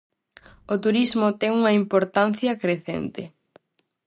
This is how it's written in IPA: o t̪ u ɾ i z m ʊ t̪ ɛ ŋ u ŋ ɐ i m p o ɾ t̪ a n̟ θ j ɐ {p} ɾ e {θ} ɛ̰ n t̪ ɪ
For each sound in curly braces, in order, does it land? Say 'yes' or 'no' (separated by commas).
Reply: no, yes